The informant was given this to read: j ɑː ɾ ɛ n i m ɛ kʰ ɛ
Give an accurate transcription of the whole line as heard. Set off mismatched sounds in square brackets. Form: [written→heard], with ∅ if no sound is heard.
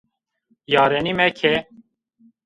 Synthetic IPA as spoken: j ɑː ɾ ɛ n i m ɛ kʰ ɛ